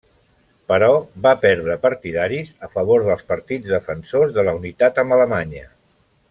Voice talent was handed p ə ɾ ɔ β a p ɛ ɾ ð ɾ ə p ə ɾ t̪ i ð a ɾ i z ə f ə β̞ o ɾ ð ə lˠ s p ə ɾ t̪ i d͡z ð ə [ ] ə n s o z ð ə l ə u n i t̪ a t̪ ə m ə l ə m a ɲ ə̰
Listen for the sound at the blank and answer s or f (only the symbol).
f